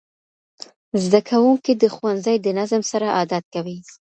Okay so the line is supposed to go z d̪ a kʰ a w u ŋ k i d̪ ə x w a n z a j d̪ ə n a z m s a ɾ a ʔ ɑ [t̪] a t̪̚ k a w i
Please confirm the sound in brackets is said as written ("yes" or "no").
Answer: no